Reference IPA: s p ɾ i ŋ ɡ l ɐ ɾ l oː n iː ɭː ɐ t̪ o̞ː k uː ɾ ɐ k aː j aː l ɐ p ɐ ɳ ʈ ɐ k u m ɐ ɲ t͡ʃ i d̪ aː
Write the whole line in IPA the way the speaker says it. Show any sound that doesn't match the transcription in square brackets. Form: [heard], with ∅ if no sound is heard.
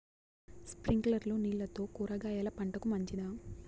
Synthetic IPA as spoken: s p ɾ i ŋ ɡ l ɐ ɾ l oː n iː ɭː ɐ t̪ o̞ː k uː ɾ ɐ [ɡ] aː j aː l ɐ p ɐ ɳ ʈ ɐ k u m ɐ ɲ t͡ʃ i d̪ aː